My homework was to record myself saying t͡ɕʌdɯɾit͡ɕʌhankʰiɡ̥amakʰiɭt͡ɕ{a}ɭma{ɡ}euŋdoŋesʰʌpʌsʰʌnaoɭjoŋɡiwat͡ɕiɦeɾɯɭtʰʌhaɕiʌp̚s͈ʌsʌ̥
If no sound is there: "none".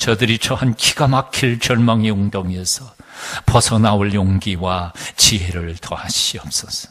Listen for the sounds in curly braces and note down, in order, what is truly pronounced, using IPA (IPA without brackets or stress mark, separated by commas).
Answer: ʌ, ŋ